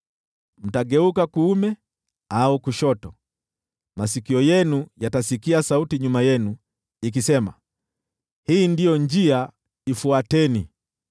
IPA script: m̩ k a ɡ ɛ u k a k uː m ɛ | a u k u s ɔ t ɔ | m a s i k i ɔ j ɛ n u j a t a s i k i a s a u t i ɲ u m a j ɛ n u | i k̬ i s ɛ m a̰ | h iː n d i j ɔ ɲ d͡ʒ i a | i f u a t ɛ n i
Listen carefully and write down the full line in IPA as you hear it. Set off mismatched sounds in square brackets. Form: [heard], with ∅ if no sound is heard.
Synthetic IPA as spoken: m̩ [t] a ɡ ɛ u k a k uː m ɛ | a u k u [ʃ] ɔ t ɔ | m a s i k i ɔ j ɛ n u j a t a s i k i a s a u t i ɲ u m a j ɛ n u | i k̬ i s ɛ m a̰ | h iː n d i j ɔ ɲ d͡ʒ i a | i f u a t ɛ n i